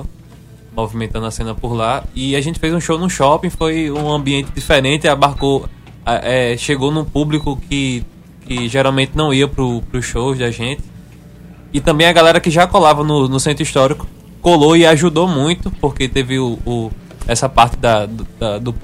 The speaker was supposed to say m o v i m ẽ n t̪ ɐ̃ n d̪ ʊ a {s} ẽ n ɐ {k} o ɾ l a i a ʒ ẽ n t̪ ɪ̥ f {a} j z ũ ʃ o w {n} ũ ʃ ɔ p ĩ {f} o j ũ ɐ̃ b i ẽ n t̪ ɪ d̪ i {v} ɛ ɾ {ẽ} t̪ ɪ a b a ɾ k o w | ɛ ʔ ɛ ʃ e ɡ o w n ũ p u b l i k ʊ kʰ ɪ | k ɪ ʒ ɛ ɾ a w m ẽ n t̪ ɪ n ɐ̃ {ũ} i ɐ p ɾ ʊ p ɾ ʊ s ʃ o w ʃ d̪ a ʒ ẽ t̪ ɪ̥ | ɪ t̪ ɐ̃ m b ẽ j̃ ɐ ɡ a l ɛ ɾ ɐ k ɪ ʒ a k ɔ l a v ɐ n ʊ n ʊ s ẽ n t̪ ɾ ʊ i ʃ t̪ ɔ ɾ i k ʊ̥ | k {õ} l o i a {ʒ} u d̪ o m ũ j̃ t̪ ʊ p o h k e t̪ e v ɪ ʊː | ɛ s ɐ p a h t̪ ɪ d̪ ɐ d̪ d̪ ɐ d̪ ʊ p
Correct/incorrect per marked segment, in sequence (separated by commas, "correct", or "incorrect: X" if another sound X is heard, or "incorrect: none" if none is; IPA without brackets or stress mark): correct, incorrect: p, incorrect: e, correct, correct, incorrect: f, correct, incorrect: w̃, incorrect: o, correct